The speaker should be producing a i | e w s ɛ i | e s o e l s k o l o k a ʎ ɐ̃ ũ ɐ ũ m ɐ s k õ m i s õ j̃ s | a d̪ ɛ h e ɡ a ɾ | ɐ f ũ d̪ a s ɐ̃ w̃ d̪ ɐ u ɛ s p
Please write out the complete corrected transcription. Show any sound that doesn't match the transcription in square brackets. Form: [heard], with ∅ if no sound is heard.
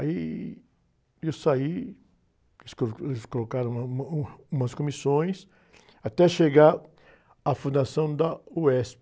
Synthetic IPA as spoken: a i | e w s [a] i | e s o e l s k o l o k a [ɾ] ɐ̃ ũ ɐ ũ m ɐ s k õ m i s õ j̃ s | a [t̪] ɛ [ʃ] e ɡ a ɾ | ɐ f ũ d̪ a s ɐ̃ w̃ d̪ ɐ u ɛ s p